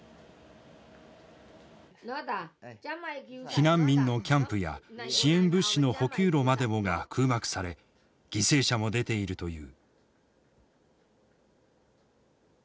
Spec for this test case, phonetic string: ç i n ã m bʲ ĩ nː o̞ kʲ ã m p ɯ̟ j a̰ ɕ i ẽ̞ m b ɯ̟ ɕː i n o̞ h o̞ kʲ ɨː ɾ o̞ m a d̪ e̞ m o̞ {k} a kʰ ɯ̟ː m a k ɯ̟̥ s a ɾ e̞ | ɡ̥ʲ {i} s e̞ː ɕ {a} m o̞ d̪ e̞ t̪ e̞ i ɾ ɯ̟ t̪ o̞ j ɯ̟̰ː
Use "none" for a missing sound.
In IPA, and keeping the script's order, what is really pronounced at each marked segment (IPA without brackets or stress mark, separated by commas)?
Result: ɡ, i, a